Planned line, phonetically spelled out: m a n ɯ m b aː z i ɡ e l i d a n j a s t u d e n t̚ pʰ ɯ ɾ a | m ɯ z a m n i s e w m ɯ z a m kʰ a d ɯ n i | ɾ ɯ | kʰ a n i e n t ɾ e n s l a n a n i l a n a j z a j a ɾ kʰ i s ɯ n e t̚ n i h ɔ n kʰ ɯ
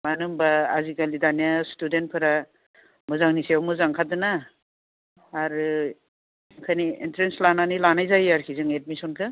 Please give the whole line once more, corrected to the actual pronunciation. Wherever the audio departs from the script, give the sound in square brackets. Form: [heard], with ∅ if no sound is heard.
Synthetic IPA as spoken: m a n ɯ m b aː z i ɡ [a] l i d a n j a s t u d e n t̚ pʰ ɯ ɾ a | m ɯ z a [ŋ] n i s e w m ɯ z a [ŋ] kʰ a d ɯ n [a] | ɾ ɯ | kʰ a n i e n t ɾ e n s l a n a n i l a n a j z a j a ɾ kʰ i [z] ɯ [ŋ] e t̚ [m] i [s] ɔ n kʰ ɯ